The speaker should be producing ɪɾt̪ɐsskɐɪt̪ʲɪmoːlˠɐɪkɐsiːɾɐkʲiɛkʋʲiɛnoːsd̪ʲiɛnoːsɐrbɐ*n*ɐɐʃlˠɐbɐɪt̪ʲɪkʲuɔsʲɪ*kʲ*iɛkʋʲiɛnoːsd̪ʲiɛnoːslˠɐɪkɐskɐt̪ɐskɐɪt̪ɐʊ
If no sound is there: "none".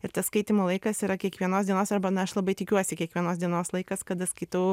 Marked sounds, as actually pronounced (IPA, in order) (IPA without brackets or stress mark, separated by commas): n, kʲ